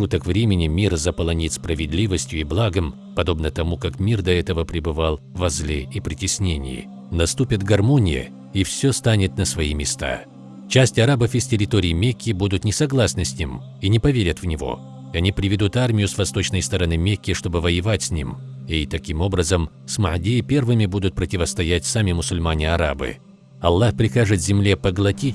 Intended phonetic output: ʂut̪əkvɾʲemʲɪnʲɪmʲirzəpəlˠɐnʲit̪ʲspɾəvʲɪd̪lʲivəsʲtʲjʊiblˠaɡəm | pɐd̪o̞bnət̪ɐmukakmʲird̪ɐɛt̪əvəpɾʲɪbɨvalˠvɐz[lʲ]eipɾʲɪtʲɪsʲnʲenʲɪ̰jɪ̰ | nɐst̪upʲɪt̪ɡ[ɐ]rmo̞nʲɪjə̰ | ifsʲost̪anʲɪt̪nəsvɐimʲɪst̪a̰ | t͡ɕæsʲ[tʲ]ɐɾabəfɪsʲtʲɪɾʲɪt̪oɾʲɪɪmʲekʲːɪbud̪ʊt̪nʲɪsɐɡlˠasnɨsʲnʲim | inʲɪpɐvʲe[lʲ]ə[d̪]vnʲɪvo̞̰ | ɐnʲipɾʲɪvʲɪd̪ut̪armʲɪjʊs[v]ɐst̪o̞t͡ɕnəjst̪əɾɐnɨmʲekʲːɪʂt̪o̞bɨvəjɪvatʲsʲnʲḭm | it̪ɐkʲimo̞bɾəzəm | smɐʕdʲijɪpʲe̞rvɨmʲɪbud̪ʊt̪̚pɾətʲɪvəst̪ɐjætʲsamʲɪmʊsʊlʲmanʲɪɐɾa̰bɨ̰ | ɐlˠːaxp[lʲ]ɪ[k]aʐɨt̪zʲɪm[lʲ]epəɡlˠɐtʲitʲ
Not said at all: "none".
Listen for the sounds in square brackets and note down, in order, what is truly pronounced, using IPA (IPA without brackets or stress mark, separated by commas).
lʲ, ɐ, tʲ, ɾʲ, t̪, v, ɾʲ, x, lʲ